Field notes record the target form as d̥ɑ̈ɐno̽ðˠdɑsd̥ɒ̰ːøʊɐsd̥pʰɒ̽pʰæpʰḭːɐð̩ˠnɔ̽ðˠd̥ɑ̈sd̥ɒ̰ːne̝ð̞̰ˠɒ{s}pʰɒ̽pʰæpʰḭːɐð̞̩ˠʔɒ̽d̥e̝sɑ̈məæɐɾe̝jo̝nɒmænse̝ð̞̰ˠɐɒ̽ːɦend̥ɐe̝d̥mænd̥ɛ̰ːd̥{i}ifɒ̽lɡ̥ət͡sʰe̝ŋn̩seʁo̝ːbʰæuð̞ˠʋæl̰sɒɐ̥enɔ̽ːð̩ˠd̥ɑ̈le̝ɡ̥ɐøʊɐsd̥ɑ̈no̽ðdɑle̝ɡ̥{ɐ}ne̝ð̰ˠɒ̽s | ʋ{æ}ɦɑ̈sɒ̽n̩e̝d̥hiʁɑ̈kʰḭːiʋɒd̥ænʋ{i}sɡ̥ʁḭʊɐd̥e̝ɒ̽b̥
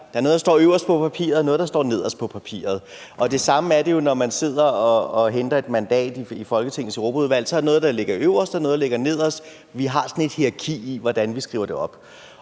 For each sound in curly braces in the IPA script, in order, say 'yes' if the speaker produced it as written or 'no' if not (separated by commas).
yes, yes, yes, no, yes